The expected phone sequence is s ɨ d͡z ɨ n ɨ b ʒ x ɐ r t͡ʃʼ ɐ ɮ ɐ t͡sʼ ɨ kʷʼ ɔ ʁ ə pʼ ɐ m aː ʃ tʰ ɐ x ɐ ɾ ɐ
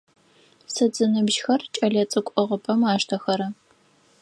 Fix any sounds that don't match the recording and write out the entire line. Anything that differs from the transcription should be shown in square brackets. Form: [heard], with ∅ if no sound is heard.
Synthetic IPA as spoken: s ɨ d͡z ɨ n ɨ b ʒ x ɐ r t͡ʃʼ ɐ ɮ ɐ t͡sʼ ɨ kʷʼ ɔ ʁ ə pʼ ɐ m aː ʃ tʰ ɐ x ɐ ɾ ɐ